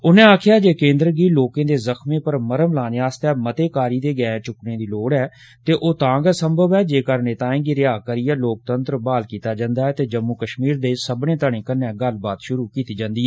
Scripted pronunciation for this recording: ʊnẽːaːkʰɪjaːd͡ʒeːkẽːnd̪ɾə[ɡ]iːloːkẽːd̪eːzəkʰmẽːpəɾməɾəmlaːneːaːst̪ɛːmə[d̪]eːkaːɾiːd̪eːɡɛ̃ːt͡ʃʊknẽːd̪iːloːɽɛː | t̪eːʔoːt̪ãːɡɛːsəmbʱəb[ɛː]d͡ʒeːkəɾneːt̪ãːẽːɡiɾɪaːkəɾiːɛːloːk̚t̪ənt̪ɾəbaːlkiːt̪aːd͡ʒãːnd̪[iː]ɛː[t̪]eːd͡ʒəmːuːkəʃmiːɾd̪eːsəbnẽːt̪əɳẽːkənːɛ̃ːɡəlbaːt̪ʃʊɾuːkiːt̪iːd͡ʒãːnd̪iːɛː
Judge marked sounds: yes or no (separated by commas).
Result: yes, no, yes, no, yes